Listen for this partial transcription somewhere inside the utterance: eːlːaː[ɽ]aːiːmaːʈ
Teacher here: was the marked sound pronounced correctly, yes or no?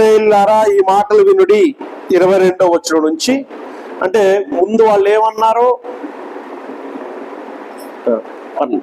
no